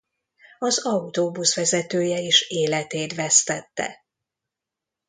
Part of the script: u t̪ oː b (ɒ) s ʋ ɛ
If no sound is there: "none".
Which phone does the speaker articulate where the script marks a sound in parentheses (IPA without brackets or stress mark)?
u